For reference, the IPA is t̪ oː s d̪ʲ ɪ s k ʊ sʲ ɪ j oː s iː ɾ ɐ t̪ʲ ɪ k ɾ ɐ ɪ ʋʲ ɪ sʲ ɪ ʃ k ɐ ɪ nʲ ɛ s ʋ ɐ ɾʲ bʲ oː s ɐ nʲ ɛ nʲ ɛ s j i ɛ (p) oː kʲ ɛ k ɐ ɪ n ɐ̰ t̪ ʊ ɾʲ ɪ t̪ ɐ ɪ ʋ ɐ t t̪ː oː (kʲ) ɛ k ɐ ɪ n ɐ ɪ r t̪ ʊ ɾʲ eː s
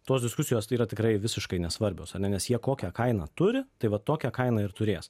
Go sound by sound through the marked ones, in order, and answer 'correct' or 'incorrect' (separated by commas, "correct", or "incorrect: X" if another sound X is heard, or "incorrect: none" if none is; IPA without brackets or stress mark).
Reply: incorrect: k, correct